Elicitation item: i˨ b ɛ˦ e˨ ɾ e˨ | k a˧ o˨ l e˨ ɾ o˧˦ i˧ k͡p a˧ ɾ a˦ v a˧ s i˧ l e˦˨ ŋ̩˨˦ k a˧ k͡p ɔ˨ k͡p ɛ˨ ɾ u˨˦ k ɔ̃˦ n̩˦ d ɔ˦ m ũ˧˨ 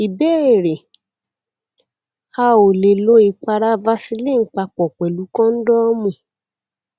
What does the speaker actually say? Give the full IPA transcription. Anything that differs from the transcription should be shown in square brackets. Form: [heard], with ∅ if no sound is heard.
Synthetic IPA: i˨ b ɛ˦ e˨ ɾ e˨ | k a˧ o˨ l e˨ [l] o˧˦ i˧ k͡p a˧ ɾ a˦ v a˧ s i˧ l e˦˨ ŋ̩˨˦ [k͡p] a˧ k͡p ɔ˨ k͡p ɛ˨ [l] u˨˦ k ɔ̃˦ n̩˦ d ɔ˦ m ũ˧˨